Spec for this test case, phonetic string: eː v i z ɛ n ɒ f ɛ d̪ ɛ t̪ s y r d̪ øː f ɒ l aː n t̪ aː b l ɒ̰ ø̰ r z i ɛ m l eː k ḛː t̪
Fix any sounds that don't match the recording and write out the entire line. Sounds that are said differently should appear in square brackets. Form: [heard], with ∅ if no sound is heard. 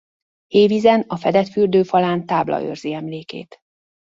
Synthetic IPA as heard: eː v i z ɛ n ɒ f ɛ d̪ ɛ t̪ [f] y r d̪ øː f ɒ l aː n t̪ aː b l ɒ̰ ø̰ r z i ɛ m l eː k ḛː t̪